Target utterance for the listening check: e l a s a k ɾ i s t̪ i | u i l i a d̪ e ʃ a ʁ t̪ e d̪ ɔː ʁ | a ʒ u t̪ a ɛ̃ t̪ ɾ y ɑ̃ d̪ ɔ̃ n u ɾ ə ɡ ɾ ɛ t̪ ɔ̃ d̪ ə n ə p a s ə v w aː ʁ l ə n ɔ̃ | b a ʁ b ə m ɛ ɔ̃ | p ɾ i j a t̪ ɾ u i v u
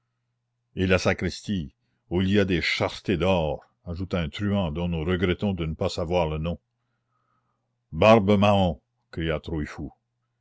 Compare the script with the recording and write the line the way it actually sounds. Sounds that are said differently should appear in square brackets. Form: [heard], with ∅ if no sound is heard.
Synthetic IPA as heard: e l a s a k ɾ i s t̪ i | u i l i a d̪ e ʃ a ʁ t̪ e d̪ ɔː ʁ | a ʒ u t̪ a ɛ̃ t̪ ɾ y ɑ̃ d̪ ɔ̃ n u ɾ ə ɡ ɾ ɛ t̪ ɔ̃ d̪ ə n ə p a s [a] v w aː ʁ l ə n ɔ̃ | b a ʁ b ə m [a] ɔ̃ | [k] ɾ i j a t̪ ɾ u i [f] u